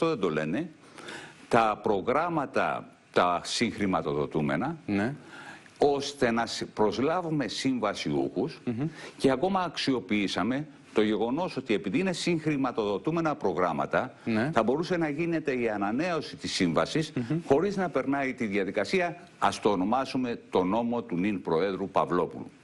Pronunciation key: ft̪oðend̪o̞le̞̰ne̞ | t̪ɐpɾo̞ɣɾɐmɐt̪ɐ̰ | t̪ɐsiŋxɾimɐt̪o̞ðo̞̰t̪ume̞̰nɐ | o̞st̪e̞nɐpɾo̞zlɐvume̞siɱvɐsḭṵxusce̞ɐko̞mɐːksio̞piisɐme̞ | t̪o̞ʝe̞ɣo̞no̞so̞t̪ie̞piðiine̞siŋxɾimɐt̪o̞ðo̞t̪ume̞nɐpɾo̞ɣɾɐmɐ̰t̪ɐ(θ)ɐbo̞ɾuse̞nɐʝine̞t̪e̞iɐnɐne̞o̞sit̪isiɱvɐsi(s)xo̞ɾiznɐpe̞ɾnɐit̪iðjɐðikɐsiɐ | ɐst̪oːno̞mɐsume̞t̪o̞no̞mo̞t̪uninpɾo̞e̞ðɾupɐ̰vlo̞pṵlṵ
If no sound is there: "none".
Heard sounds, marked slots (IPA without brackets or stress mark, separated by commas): θ, s